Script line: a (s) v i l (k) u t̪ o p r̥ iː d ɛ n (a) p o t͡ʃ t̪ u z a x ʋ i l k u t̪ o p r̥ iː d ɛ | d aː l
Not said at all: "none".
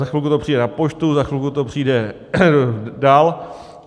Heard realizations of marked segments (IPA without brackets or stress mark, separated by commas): x, k, a